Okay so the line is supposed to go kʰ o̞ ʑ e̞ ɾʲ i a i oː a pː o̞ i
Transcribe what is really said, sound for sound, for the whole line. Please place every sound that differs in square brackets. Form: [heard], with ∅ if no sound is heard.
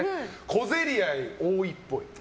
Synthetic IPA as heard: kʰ o̞ [z] e̞ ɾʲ i a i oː [i] pː o̞ i

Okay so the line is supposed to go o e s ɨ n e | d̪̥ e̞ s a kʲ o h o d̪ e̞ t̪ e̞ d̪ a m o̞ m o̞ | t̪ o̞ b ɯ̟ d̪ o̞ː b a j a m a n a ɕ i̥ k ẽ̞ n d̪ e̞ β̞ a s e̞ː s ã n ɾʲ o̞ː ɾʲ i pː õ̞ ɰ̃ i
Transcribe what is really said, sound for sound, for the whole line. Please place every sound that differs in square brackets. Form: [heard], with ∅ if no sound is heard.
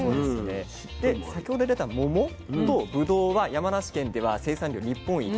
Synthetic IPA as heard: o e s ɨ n e | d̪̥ e̞ s a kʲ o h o d̪ e̞ [d̪] e̞ [t̪] a m o̞ m o̞ | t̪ o̞ b ɯ̟ d̪ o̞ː [β] a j a m a n a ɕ i̥ k ẽ̞ n d̪ e̞ β̞ a s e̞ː s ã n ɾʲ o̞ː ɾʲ i pː õ̞ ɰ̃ i

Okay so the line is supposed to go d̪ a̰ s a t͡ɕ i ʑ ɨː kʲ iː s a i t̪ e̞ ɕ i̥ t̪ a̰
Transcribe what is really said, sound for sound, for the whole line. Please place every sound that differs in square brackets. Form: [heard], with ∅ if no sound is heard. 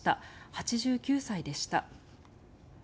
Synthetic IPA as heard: [t̪] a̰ [h] a t͡ɕ i ʑ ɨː kʲ [ɨː] s a i [d̪] e̞ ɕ i̥ t̪ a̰

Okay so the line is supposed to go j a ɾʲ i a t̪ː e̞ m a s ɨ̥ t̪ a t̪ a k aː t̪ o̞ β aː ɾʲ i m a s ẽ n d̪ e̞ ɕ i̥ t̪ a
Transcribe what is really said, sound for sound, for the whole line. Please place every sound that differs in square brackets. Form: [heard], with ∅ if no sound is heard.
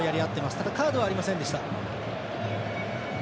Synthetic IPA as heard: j a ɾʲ i a t̪ː e̞ m a s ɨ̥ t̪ a [d̪] a k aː [d̪] o̞ β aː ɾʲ i m a s ẽ n d̪ e̞ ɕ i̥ t̪ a

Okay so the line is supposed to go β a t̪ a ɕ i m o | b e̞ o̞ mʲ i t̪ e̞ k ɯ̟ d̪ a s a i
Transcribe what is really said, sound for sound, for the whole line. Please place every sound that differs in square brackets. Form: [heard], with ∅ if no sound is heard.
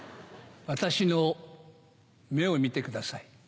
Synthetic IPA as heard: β a t̪ a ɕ i [n] o | [m] e̞ o̞ mʲ i t̪ e̞ k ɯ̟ d̪ a s a i

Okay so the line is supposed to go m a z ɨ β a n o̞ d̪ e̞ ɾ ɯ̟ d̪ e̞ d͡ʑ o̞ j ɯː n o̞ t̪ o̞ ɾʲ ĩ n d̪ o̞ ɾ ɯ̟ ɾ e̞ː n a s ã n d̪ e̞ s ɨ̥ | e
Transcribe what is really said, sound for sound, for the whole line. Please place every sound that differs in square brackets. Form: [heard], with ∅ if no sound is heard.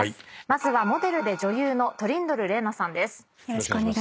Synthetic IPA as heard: m a z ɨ β a [m] o̞ d̪ e̞ ɾ ɯ̟ d̪ e̞ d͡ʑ o̞ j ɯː n o̞ t̪ o̞ ɾʲ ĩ n d̪ o̞ ɾ ɯ̟ ɾ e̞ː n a s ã n d̪ e̞ s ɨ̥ | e

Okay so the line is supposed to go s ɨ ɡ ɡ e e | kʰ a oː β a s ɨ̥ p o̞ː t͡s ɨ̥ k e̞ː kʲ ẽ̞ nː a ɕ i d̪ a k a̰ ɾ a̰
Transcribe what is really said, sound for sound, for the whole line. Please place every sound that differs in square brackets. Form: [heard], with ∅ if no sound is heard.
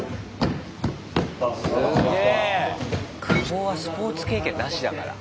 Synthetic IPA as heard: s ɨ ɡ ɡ e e | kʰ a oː β a s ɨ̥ p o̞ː t͡s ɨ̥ k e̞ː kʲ ẽ̞ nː a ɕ i d̪ a k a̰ ɾ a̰

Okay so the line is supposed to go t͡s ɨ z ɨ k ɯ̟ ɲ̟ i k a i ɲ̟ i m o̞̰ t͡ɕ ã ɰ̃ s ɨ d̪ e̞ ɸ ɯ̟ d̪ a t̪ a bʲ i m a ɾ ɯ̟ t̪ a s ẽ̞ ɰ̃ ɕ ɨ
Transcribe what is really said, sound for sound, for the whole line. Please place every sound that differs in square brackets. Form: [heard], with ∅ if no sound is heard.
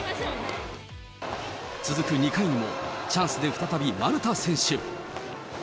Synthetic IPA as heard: t͡s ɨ z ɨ k ɯ̟ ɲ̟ i k a i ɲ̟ i m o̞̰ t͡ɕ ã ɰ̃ s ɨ d̪ e̞ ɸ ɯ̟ [t̪] a t̪ a bʲ i m a ɾ ɯ̟ t̪ a s ẽ̞ ɰ̃ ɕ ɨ

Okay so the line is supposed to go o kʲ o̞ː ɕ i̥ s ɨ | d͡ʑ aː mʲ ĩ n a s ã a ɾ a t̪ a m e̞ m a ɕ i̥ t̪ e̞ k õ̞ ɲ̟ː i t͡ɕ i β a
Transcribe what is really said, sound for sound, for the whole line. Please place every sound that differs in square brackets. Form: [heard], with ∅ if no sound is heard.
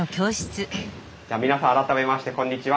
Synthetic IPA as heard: o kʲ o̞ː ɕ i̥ [t͡s] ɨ | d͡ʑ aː mʲ [i] n a s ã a ɾ a t̪ a m e̞ m a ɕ i̥ t̪ e̞ k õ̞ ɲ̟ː i t͡ɕ i β a

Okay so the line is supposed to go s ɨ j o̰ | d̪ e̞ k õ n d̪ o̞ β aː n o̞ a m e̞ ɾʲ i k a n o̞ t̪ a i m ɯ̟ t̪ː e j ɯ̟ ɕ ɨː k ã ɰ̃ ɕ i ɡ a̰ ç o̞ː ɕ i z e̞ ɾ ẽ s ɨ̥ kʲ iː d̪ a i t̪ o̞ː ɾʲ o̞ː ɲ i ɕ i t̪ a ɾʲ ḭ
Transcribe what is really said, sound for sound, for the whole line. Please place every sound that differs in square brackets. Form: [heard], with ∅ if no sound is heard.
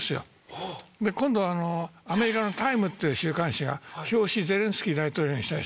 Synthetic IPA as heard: s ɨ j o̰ | d̪ e̞ k õ n d̪ o̞ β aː n o̞ a m e̞ ɾʲ i k a n o̞ t̪ a i m ɯ̟ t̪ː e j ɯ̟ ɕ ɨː k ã ɰ̃ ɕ i ɡ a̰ ç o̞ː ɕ i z e̞ ɾ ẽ s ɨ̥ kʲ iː d̪ a i t̪ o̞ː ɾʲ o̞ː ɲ i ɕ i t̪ a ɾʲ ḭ

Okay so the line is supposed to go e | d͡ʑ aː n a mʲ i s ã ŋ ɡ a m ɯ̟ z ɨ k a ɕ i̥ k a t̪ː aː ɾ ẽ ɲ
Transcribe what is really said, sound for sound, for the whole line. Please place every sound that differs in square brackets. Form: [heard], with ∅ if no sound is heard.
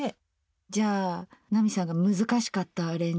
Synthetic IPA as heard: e | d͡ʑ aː n a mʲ i s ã ŋ ɡ a m ɯ̟ z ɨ k a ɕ i̥ k a t̪ː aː ɾ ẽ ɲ

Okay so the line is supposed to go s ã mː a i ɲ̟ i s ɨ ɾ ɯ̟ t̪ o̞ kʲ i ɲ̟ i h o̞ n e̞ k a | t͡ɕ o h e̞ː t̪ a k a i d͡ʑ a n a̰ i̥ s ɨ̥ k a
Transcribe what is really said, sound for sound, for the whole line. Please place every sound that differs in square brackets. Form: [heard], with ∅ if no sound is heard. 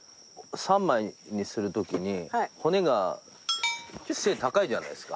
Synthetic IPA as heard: s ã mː a i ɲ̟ i s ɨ ɾ ɯ̟ t̪ o̞ kʲ i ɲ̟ i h o̞ n e̞ [ɡ] a | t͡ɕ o [s] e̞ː t̪ a k a i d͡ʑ a n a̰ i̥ s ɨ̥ k a

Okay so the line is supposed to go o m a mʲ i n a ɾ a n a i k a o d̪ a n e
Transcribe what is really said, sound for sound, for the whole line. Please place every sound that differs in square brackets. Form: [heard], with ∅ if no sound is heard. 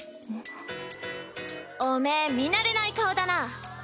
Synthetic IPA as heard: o m [e] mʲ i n a ɾ [e] n a i k a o d̪ a n [a]

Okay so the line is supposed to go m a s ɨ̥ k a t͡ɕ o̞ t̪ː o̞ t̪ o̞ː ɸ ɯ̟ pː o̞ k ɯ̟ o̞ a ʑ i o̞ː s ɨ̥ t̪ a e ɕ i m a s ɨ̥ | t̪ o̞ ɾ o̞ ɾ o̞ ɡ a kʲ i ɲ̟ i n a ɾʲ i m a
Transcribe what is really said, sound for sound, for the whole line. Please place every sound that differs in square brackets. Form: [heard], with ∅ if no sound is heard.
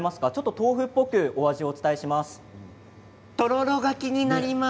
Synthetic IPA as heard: m a s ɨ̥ k a t͡ɕ o̞ t̪ː o̞ t̪ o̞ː ɸ ɯ̟ pː o̞ k ɯ̟ o̞ a ʑ i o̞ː [t͡s] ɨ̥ t̪ a e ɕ i m a s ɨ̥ | t̪ o̞ ɾ o̞ ɾ o̞ ɡ a kʲ i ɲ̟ i n a ɾʲ i m a

